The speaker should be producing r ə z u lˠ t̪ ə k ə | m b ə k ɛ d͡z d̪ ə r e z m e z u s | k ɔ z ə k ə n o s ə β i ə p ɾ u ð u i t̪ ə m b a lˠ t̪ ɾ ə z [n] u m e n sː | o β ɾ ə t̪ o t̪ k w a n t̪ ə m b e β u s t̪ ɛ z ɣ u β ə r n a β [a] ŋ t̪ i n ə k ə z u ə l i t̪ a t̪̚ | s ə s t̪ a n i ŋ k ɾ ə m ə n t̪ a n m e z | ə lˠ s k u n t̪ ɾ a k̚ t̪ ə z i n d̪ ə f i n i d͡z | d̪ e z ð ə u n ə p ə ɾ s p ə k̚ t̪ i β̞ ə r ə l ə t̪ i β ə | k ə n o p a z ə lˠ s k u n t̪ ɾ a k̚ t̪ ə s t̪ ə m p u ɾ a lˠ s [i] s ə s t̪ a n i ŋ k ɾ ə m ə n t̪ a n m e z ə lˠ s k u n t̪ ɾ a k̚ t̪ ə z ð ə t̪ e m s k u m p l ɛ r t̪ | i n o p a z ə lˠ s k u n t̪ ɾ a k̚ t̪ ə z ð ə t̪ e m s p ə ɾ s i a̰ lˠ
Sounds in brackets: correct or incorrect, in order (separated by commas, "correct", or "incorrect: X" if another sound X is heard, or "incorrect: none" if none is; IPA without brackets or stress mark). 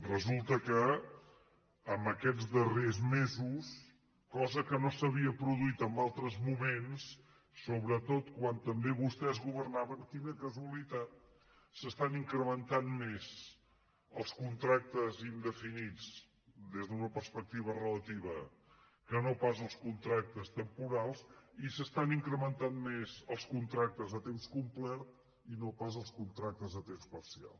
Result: incorrect: m, incorrect: ə, correct